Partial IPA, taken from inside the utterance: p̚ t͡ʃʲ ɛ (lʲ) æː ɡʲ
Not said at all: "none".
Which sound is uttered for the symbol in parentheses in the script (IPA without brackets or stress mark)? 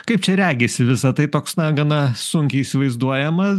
ɾʲ